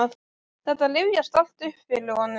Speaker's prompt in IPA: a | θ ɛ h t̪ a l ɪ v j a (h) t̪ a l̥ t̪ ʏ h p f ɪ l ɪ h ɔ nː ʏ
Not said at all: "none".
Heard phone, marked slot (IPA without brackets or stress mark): s